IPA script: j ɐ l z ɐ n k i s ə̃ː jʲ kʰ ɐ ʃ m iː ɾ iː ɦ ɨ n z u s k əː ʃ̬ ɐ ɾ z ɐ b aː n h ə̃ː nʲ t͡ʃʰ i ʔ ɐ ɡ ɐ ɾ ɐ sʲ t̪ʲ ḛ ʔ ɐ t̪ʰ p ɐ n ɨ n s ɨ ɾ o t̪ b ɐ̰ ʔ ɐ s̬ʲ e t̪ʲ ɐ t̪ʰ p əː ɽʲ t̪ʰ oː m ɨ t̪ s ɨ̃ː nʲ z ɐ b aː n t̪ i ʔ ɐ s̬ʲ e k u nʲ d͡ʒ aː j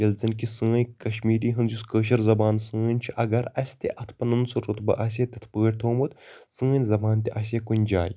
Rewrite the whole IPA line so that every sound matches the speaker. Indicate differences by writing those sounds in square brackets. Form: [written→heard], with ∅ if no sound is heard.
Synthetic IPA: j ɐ l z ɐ n k i s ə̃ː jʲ [kʰ→k] ɐ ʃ m iː ɾ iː ɦ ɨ n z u s k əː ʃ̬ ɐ ɾ z ɐ b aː n [h→s] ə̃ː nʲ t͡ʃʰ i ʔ ɐ ɡ ɐ ɾ ɐ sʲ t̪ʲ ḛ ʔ ɐ t̪ʰ p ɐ n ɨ n s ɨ ɾ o t̪ b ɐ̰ ʔ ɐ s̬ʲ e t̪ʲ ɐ t̪ʰ p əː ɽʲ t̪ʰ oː m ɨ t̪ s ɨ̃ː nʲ z ɐ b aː n t̪ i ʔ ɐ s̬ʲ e k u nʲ d͡ʒ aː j